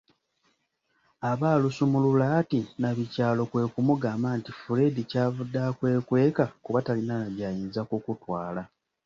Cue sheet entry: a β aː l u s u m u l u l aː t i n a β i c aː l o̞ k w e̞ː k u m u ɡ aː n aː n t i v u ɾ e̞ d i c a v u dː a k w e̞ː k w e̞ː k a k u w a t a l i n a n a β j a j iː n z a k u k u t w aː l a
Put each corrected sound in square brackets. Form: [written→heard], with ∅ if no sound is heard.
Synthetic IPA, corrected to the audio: a β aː l u s u m u l u l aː t i n a β i c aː l o̞ k w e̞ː k u m u ɡ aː [n→m] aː n t i [v→f] u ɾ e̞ d i c a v u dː a k w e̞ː k w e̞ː k a k u [w→β] a t a l i n a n a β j a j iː n z a k u k u t w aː l a